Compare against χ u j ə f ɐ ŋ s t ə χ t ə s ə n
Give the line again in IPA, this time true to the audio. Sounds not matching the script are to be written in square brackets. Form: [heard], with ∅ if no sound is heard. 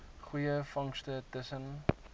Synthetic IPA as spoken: χ u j ə f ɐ ŋ s t ə [∅] t ə s ə n